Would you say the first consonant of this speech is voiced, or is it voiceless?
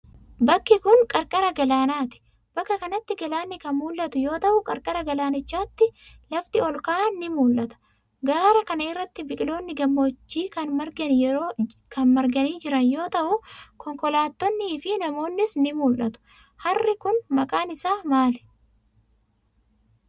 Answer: voiced